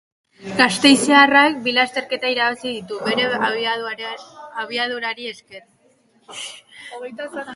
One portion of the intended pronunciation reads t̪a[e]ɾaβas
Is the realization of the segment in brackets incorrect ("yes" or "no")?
yes